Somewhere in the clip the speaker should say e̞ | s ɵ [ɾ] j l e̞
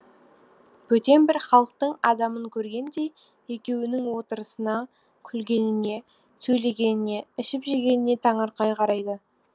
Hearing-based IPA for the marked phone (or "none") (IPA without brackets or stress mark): none